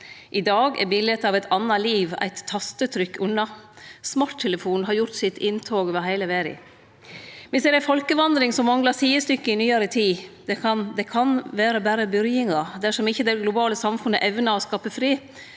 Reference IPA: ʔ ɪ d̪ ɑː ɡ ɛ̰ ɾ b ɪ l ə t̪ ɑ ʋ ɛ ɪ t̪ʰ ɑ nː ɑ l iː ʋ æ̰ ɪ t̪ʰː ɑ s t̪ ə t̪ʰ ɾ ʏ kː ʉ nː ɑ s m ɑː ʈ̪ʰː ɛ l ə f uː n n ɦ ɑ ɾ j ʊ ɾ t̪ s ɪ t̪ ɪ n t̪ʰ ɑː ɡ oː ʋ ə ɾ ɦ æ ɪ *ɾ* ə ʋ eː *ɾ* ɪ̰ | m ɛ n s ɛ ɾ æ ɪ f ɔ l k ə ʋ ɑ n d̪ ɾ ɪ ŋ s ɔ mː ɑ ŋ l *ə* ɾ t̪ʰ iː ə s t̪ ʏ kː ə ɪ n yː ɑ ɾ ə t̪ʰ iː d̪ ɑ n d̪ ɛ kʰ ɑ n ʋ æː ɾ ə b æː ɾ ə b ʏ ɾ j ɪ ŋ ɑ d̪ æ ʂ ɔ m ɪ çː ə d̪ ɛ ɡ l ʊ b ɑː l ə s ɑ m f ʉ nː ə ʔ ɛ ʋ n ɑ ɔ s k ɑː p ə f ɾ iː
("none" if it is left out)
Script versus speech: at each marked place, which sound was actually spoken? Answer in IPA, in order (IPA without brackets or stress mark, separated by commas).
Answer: l, ɾ, ɑ